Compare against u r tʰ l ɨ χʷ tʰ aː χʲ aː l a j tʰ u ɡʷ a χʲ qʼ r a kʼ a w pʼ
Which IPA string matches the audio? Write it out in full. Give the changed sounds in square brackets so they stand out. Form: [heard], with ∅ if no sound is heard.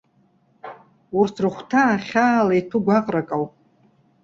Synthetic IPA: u r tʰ [r] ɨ χʷ tʰ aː χʲ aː l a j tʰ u ɡʷ a [∅] qʼ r a kʼ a w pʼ